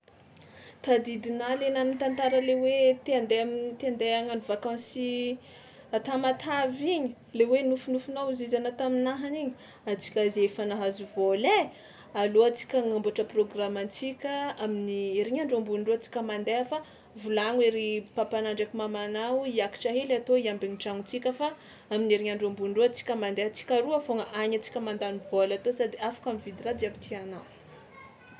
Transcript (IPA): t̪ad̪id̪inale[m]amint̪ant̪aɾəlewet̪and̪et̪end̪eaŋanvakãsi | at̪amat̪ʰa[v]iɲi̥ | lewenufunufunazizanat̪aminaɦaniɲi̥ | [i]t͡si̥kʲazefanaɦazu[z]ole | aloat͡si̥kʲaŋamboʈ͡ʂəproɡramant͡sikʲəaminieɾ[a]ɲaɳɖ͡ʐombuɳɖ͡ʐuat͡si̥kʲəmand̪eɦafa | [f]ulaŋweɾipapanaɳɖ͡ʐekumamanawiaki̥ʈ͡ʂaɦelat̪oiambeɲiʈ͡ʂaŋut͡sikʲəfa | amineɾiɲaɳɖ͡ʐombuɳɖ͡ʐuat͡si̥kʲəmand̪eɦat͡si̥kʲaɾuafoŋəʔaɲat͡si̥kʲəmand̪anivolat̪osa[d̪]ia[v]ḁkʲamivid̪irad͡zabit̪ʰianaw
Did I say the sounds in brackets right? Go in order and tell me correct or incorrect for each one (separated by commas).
incorrect, correct, incorrect, incorrect, incorrect, incorrect, correct, incorrect